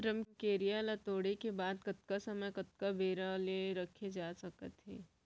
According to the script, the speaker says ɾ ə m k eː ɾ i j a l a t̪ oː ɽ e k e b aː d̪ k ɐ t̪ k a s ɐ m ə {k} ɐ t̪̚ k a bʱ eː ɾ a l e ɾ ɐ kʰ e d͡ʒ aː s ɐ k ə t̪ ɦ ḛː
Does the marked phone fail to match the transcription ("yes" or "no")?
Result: no